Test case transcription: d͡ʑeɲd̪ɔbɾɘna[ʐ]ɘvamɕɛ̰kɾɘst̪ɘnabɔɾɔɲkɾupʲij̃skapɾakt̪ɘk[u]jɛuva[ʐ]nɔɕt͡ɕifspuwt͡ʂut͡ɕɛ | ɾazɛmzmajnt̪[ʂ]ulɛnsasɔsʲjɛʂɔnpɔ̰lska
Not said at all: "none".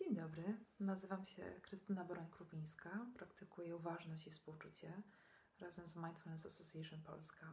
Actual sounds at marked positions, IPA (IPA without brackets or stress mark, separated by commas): z, u, ʐ, f